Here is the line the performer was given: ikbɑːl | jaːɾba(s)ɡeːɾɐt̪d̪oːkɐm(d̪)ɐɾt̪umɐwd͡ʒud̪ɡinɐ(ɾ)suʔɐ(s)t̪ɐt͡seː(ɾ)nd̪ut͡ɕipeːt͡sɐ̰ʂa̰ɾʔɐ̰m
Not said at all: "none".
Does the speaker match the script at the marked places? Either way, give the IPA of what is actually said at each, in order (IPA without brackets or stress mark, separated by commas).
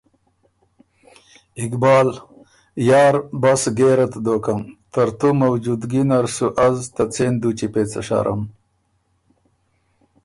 s, t̪, ɾ, z, none